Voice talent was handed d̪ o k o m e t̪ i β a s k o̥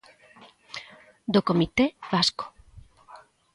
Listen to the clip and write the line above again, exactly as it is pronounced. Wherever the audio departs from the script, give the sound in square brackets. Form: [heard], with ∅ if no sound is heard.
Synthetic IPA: d̪ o k o m [i] t̪ [e] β a s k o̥